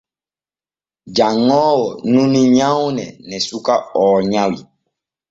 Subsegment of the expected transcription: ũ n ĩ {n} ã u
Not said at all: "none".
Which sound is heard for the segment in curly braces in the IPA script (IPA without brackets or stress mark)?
ɲ